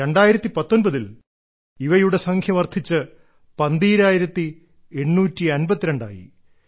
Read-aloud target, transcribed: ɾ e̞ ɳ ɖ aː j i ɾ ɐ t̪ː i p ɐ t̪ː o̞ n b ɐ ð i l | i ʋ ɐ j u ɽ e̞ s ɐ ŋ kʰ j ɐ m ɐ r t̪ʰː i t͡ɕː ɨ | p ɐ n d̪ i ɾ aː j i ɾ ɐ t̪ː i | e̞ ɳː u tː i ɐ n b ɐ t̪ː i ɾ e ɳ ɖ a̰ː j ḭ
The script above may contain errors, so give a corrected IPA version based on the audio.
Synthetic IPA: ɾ e̞ ɳ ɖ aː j i ɾ ɐ t̪ː i p ɐ t̪ː o̞ n b ɐ ð i l | i ʋ ɐ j u ɽ e̞ s ɐ ŋ kʰ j ɐ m ɐ r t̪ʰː i t͡ɕː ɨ | p ɐ n d̪ iː ɾ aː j i ɾ ɐ t̪ː i | e̞ ɳː uː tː i ɐ n b ɐ t̪ː i ɾ e ɳ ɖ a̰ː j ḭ